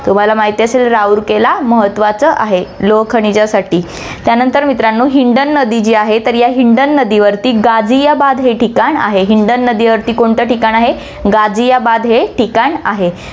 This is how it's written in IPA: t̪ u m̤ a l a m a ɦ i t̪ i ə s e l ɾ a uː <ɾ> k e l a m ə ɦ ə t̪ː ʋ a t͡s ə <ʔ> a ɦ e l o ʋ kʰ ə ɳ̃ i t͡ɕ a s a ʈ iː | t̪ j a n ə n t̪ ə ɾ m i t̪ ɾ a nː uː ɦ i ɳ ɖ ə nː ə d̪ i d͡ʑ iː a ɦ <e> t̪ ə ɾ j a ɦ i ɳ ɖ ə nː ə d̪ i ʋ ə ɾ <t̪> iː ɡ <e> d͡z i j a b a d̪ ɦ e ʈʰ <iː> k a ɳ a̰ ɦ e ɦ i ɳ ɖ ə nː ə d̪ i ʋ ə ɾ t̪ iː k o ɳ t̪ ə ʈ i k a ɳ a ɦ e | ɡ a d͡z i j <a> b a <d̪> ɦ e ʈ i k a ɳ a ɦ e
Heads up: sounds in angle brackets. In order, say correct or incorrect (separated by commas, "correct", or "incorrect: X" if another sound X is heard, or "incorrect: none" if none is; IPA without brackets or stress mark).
correct, correct, correct, correct, incorrect: a, incorrect: i, correct, correct